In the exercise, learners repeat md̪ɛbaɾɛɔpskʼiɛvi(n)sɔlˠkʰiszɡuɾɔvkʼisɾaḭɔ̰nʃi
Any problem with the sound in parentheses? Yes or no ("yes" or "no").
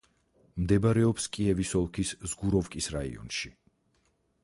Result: yes